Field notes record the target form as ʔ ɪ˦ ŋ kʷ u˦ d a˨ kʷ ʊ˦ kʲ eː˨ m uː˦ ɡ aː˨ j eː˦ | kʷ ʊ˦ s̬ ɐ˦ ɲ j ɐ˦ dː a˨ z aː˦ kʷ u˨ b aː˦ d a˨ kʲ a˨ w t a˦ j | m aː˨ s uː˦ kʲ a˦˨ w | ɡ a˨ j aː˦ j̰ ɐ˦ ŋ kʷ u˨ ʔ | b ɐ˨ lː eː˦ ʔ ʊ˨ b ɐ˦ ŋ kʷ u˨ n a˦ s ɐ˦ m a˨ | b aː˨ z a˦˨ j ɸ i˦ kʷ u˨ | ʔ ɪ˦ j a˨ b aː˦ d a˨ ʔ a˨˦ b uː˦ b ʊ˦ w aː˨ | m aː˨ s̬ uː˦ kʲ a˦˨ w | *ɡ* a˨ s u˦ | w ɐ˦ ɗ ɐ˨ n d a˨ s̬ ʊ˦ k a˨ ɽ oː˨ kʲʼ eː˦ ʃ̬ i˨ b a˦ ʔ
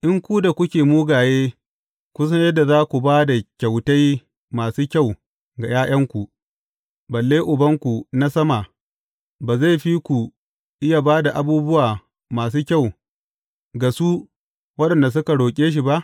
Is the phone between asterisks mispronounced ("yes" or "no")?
no